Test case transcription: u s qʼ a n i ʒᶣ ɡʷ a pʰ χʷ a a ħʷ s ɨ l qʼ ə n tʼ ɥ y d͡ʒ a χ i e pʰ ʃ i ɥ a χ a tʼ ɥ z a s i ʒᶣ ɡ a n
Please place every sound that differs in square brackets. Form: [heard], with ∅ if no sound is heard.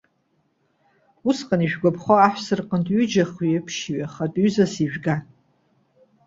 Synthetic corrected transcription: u s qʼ a n i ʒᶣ ɡʷ a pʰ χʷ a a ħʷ s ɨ [r] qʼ ə n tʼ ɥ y d͡ʒ a χ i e pʰ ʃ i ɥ a χ a tʼ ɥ z a s i ʒᶣ ɡ a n